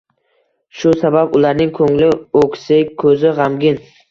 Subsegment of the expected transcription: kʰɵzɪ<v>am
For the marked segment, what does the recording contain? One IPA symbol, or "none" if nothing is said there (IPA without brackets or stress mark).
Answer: ʁ